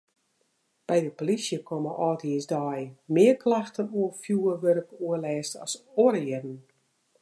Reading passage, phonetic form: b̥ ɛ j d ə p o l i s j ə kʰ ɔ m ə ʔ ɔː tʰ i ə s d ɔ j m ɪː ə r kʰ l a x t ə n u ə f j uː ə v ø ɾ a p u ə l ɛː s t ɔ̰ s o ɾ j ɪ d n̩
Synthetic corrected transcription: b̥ ɛ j d ə p o l i s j ə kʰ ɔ m ə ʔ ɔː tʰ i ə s d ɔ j m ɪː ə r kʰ l a x t ə n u ə f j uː ə ʋ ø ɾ ə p u ə l ɛː s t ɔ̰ s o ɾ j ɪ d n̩